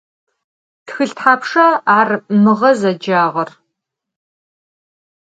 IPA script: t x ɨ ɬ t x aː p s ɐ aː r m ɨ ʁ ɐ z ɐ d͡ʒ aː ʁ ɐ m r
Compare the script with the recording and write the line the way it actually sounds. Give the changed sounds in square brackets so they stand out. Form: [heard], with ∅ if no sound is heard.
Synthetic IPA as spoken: t x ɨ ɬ t [ħ] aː p [ʂ] ɐ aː r m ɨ ʁ ɐ z ɐ d͡ʒ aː ʁ ɐ [∅] r